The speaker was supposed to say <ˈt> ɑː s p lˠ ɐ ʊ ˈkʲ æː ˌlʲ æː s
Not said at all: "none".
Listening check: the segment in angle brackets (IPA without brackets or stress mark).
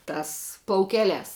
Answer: t